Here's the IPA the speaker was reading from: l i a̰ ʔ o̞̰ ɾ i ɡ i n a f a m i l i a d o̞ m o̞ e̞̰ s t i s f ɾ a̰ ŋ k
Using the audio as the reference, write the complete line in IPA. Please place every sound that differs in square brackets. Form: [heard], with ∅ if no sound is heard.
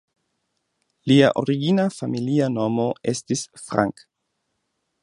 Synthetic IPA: l i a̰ ʔ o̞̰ ɾ i ɡ i n a f a m i l i a [n] o̞ m o̞ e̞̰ s t i s f ɾ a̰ ŋ k